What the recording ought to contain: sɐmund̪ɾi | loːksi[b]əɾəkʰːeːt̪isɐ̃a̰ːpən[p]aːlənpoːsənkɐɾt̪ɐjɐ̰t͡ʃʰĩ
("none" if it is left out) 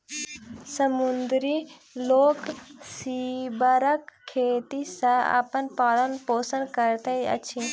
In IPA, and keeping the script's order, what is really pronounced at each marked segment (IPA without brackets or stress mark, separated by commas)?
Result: b, p